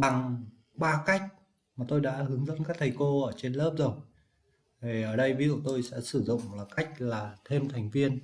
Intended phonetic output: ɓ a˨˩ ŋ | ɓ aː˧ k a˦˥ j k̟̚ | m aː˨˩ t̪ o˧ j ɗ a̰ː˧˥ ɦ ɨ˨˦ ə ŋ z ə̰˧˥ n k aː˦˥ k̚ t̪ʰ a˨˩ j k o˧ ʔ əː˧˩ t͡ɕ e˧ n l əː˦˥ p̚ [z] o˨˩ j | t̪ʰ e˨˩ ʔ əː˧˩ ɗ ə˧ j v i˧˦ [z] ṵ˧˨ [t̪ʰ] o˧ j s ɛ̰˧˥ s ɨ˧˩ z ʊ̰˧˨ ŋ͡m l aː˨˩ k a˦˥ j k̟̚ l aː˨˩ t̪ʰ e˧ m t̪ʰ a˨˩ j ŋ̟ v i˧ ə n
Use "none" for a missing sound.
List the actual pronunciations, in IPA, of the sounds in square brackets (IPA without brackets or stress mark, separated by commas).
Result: z, z, t̪